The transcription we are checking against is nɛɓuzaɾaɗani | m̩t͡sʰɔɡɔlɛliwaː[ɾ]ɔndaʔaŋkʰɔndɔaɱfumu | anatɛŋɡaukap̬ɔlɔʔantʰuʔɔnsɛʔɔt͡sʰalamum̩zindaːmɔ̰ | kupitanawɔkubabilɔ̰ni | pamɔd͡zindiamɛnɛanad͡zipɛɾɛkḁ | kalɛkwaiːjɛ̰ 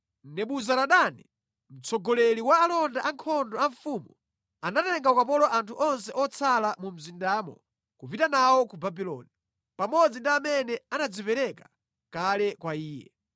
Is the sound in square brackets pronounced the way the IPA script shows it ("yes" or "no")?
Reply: no